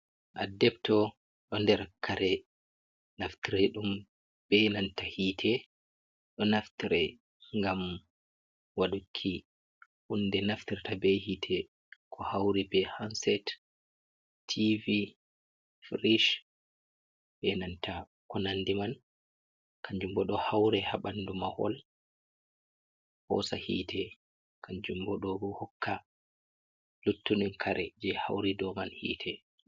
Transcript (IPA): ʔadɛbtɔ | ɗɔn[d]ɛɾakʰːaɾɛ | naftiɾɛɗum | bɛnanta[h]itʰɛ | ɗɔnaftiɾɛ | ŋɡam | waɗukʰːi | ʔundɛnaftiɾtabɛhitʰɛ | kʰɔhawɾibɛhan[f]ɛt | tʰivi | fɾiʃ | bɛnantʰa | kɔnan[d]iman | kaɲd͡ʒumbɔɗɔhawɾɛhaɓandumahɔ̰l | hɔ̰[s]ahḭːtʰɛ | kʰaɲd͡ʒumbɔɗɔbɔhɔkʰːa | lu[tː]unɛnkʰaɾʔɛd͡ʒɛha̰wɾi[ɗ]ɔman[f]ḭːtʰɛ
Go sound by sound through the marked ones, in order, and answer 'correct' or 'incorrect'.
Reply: correct, correct, incorrect, correct, correct, correct, incorrect, incorrect

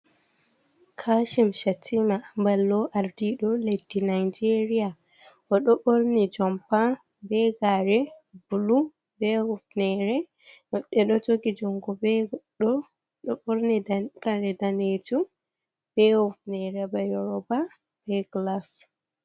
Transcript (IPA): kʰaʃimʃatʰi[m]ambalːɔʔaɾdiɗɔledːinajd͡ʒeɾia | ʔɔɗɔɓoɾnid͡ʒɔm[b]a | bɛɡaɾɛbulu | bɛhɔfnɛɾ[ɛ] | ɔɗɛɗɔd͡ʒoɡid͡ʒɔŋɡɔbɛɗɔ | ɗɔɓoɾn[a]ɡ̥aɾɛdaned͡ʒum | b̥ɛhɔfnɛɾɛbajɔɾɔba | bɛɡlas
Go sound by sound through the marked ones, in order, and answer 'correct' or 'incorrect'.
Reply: correct, incorrect, correct, incorrect

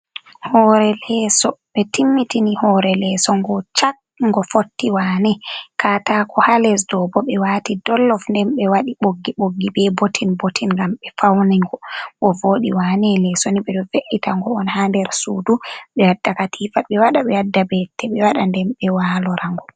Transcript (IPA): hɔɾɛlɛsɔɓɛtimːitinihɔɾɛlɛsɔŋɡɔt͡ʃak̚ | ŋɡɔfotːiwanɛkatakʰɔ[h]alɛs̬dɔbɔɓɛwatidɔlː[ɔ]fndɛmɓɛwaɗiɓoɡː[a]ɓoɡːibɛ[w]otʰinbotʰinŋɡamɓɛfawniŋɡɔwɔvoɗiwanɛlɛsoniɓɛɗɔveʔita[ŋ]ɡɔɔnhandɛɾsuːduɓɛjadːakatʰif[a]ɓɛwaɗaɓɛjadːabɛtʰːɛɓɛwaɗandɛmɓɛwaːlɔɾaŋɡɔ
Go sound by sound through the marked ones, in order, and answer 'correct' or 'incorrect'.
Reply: correct, correct, incorrect, incorrect, correct, correct

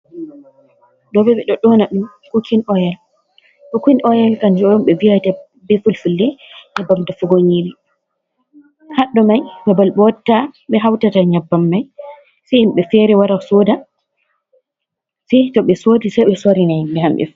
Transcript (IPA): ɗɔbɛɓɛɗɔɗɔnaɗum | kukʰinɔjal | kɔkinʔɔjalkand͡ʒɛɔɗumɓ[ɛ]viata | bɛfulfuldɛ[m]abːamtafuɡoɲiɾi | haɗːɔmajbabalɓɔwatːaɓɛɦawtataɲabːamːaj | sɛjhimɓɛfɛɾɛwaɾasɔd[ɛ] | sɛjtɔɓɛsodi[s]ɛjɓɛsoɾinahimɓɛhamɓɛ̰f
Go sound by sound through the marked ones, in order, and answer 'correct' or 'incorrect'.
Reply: correct, incorrect, incorrect, correct

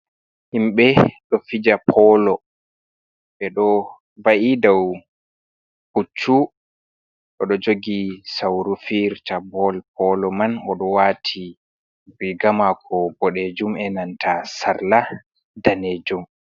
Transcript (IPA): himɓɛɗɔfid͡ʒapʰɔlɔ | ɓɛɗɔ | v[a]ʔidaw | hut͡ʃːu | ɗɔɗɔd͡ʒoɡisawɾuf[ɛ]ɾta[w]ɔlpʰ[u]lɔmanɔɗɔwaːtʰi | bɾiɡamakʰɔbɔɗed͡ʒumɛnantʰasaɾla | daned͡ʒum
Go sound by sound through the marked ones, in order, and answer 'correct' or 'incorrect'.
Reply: correct, incorrect, incorrect, incorrect

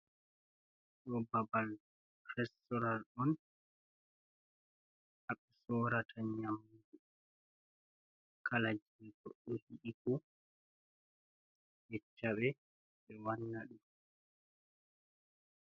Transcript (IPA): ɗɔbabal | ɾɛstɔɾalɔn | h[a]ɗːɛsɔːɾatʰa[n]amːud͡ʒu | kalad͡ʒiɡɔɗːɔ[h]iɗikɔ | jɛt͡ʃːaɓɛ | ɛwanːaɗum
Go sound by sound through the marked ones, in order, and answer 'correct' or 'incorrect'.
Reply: correct, incorrect, correct

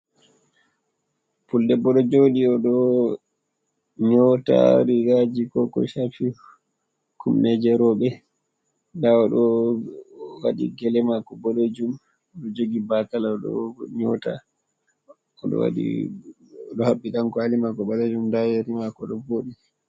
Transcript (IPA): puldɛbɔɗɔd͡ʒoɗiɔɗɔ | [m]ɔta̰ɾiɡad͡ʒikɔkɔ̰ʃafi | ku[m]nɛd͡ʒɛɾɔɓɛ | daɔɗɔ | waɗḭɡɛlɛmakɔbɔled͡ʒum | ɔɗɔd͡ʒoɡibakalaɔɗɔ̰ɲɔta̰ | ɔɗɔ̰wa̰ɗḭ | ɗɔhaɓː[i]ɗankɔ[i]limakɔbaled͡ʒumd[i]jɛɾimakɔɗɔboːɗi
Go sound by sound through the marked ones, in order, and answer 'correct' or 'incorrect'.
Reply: incorrect, correct, correct, incorrect, incorrect

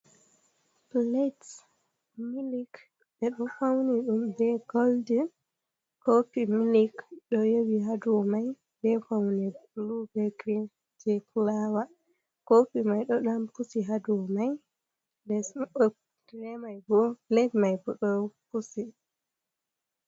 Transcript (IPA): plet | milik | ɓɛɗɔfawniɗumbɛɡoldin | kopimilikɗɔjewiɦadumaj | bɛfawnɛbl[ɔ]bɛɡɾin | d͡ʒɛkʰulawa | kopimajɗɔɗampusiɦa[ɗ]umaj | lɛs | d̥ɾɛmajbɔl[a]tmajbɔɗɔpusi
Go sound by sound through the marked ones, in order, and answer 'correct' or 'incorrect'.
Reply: incorrect, incorrect, incorrect

